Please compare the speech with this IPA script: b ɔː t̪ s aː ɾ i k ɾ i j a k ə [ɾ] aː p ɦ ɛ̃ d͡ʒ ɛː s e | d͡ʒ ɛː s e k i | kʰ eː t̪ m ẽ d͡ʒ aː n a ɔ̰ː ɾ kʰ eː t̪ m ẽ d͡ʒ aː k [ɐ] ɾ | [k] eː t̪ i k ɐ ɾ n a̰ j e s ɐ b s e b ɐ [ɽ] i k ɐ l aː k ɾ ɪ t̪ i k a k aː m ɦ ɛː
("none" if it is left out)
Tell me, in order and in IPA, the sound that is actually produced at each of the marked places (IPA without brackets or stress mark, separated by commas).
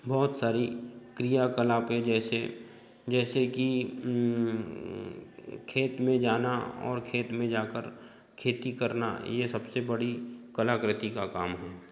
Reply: l, ə, kʰ, ɽ